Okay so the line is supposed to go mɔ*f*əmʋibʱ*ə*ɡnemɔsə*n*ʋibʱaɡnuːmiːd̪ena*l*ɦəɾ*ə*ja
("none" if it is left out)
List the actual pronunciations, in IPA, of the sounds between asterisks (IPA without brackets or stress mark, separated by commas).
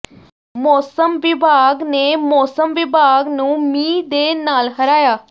s, a, m, l, a